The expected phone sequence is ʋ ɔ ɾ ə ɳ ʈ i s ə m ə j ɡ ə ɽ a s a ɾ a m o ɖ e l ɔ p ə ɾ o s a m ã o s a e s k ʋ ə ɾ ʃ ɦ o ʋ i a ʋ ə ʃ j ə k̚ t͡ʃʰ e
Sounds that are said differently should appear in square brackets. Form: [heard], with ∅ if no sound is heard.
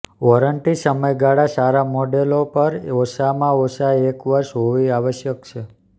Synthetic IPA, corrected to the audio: ʋ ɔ ɾ ə ɳ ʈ i s ə m ə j ɡ [a] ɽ a s a ɾ a m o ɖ e l [o] p ə ɾ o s a m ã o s a e [∅] k ʋ ə ɾ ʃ ɦ o ʋ i a ʋ ə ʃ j ə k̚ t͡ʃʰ e